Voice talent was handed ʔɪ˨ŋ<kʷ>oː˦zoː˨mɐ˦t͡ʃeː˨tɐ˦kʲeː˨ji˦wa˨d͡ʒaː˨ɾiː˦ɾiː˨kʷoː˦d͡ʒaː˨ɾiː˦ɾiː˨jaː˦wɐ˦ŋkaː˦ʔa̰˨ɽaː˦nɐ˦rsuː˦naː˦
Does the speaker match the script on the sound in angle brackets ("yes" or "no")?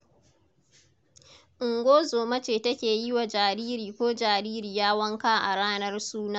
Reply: no